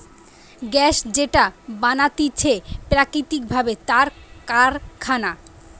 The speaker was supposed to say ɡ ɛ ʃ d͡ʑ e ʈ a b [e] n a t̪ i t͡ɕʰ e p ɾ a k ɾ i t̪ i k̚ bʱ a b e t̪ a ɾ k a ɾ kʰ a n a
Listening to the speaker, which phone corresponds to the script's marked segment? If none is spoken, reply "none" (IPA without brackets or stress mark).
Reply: a